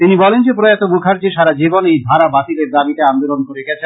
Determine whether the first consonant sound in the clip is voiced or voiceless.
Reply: voiceless